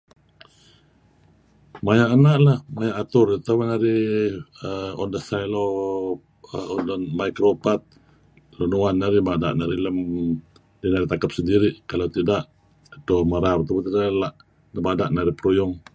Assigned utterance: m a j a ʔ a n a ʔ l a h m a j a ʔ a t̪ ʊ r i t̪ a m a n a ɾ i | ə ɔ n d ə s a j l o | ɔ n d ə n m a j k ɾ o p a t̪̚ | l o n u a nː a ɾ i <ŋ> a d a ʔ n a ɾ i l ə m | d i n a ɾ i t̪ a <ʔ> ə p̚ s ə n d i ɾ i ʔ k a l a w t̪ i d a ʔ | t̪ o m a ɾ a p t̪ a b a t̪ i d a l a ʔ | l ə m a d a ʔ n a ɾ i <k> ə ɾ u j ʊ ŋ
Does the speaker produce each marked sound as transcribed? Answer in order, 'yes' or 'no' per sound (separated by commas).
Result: no, no, no